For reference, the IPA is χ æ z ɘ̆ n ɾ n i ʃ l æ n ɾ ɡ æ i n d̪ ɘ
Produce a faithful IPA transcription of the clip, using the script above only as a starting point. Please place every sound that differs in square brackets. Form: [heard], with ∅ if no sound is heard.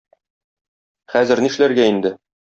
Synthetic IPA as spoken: χ æ z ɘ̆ [∅] ɾ n i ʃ l æ [∅] ɾ ɡ æ i n d̪ ɘ